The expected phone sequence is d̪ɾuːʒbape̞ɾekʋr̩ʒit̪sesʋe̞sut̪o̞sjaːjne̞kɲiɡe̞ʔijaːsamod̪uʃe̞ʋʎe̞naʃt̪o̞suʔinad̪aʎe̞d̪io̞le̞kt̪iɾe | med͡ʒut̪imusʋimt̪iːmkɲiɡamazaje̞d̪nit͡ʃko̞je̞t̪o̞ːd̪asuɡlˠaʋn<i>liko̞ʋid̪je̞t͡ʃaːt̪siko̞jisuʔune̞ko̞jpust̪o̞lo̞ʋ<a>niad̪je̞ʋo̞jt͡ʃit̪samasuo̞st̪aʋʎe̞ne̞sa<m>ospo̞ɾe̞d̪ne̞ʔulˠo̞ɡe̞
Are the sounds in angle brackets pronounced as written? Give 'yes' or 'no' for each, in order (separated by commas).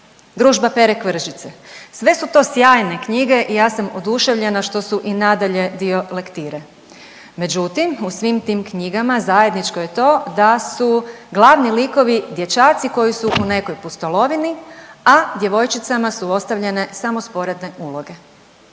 yes, no, yes